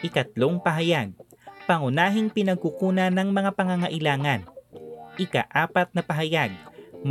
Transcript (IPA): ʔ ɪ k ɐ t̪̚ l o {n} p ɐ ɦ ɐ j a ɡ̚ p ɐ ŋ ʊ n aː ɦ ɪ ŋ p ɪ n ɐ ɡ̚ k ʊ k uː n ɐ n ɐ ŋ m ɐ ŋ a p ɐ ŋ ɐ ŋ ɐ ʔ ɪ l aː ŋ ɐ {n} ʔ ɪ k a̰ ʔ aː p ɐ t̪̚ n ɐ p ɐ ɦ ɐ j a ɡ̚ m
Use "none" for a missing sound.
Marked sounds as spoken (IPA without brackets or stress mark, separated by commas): ŋ, n